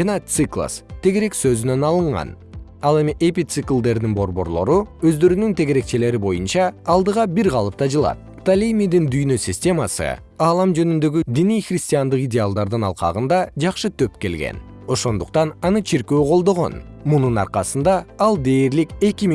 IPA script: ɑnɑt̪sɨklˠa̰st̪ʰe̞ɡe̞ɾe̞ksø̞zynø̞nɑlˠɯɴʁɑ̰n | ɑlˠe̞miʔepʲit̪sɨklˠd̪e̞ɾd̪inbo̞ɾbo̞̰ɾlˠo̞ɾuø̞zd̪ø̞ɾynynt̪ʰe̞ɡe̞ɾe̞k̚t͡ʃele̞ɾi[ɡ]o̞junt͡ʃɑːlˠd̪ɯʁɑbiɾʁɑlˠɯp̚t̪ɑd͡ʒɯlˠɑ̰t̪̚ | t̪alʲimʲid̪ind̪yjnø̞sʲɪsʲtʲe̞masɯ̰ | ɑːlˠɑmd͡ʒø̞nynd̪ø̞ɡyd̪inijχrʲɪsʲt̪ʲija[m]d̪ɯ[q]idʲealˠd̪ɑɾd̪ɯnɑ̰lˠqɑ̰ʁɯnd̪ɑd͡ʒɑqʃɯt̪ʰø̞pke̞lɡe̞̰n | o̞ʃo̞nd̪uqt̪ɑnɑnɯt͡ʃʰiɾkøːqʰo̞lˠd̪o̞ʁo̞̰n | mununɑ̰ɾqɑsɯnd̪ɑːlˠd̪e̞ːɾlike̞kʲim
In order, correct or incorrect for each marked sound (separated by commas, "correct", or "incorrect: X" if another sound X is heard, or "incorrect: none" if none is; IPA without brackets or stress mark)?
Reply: incorrect: b, incorrect: n, correct